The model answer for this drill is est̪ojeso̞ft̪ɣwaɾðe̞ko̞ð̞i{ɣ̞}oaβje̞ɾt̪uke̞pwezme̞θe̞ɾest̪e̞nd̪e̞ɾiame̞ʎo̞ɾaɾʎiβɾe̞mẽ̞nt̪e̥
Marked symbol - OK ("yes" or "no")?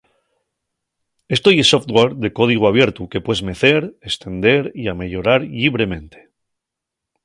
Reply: yes